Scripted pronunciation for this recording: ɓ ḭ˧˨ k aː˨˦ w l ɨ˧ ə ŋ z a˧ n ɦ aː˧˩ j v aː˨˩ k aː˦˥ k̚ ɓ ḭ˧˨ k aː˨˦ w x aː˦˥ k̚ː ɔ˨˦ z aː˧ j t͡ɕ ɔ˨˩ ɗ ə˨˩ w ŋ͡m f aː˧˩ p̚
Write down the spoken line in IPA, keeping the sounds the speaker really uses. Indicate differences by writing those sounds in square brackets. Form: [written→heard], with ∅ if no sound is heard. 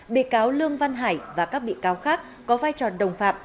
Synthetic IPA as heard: ɓ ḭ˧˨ k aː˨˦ w l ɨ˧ ə ŋ [z→v] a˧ n ɦ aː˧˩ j v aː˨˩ k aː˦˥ k̚ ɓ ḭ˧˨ k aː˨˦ w x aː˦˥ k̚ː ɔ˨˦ [z→v] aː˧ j t͡ɕ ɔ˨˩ ɗ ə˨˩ w ŋ͡m f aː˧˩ p̚